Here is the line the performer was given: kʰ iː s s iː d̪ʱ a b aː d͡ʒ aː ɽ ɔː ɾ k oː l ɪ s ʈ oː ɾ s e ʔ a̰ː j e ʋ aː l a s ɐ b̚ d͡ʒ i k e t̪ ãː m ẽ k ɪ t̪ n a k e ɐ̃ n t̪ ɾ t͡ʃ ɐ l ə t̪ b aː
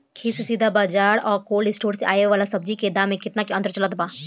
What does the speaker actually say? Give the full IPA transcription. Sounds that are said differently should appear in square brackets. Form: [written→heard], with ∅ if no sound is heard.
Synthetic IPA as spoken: kʰ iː s s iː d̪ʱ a b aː d͡ʒ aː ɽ ɔː ɾ k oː l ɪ s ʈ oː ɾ s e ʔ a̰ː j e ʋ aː l a s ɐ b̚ d͡ʒ i k e [t̪→d̪] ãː m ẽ k ɪ t̪ n a k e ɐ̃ n t̪ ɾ t͡ʃ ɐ l ə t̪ b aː